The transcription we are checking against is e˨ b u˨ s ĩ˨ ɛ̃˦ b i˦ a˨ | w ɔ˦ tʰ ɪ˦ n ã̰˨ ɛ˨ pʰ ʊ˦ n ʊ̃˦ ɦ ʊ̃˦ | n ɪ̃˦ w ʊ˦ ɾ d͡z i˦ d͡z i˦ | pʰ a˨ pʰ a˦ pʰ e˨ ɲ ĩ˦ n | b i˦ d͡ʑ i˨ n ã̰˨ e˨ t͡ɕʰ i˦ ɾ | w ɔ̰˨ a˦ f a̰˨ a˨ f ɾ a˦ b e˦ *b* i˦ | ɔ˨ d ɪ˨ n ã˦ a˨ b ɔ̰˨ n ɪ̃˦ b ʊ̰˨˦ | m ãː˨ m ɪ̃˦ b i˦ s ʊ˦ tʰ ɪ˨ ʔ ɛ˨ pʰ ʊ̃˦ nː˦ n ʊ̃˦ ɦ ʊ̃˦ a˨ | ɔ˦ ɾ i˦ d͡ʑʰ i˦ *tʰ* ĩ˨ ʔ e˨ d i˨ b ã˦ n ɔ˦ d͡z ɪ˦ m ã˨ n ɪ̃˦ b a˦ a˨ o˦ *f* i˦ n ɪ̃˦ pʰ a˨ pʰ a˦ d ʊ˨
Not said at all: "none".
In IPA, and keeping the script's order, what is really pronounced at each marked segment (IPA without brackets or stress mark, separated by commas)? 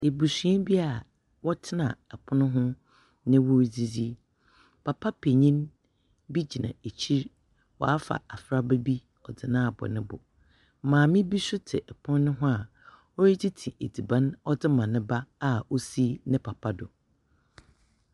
b, tʰ, s